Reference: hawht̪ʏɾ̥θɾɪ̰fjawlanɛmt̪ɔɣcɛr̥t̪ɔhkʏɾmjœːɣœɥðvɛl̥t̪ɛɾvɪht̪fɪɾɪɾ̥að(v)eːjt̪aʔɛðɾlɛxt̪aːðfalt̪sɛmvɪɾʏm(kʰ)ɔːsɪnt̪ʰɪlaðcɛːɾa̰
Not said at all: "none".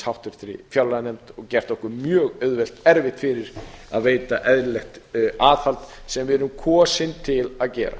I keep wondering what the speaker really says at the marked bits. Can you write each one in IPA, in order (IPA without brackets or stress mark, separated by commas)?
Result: v, kʰ